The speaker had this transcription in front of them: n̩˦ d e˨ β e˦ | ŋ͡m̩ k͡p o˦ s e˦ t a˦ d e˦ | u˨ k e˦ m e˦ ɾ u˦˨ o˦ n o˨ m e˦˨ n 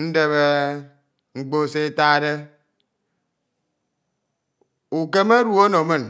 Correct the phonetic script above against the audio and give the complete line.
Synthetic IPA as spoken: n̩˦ d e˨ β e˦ | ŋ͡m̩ k͡p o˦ s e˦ t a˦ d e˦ | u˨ k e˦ m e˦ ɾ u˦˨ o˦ n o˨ m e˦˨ n

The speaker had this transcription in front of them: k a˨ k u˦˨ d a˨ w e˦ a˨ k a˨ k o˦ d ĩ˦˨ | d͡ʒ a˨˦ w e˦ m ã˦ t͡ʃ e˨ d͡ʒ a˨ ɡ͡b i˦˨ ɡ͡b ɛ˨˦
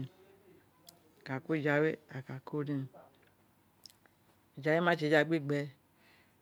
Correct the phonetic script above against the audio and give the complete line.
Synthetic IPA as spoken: k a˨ k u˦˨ d͡ʒ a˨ w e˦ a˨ k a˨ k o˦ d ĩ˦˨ | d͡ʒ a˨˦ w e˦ m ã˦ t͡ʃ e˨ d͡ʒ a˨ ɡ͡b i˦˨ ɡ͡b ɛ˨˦

